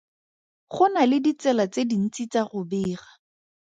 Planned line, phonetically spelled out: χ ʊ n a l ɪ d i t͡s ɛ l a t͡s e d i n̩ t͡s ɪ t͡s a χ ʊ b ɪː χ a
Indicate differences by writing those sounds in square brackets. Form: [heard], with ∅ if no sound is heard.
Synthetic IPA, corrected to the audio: χ ʊ n a l ɪ d i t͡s ɛ l a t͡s e d i n̩ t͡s [i] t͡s a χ ʊ b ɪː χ a